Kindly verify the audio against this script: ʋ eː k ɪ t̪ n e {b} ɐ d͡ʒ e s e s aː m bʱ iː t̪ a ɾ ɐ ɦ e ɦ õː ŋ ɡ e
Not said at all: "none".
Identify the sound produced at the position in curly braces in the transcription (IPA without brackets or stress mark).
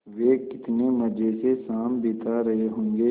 m